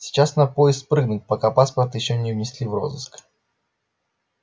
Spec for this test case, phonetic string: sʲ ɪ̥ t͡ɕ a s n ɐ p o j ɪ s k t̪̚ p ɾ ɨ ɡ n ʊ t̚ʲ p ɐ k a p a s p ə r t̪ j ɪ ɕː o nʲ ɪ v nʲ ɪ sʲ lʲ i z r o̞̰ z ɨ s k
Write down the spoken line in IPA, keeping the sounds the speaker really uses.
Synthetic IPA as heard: sʲ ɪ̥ t͡ɕ a s n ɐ p o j ɪ s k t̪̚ p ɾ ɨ ɡ n ʊ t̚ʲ p ɐ k a p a s p ə r t̪ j ɪ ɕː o nʲ ɪ v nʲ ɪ sʲ lʲ i v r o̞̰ z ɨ s k